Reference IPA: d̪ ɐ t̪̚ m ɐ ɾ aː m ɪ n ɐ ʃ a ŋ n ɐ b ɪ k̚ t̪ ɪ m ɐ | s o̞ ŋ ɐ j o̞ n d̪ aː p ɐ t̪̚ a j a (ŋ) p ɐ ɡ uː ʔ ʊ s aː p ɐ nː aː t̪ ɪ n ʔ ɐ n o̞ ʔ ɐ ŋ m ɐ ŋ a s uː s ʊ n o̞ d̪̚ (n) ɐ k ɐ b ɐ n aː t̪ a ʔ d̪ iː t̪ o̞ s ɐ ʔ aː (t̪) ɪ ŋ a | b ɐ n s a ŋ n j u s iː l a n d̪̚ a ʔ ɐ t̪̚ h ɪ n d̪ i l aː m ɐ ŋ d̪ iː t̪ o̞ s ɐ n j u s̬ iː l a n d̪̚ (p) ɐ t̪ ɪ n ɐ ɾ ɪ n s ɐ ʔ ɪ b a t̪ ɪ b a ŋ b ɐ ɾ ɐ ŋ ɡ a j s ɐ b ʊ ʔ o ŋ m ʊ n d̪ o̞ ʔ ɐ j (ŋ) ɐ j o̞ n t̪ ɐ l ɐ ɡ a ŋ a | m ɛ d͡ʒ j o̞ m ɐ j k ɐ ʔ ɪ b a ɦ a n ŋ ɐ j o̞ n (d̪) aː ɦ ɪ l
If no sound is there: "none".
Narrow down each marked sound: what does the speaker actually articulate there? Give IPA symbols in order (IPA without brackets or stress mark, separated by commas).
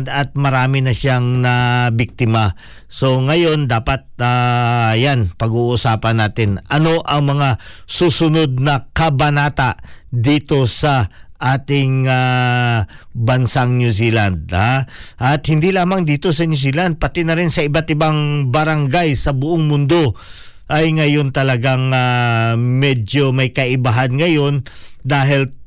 n, n, t̪, p, ŋ, d̪